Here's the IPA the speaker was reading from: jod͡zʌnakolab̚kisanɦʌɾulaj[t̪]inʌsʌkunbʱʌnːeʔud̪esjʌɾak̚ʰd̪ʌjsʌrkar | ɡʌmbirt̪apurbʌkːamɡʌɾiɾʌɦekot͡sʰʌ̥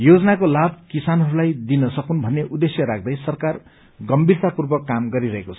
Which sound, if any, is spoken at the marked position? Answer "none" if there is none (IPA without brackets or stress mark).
d̪